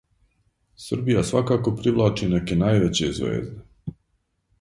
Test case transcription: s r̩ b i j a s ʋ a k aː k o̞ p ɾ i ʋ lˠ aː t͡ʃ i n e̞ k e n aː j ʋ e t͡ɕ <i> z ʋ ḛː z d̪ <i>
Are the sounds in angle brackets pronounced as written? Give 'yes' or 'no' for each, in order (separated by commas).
no, no